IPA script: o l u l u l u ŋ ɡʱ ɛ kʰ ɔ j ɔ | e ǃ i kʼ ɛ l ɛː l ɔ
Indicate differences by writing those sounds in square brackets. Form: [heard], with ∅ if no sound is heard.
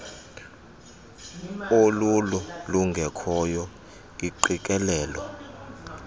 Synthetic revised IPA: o l u l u l u ŋ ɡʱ ɛ kʰ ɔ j ɔ | [i] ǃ i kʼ ɛ l ɛː l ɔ